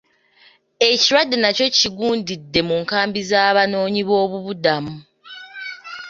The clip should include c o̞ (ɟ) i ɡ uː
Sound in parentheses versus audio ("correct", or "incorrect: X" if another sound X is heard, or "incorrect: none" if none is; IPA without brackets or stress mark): incorrect: c